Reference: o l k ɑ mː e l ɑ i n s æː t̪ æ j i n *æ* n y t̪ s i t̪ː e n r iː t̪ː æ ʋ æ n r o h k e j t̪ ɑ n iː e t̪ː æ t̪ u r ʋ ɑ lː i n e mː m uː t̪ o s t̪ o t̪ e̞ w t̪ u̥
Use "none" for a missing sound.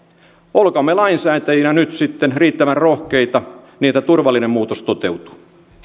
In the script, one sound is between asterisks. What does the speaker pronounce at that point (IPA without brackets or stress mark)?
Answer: æ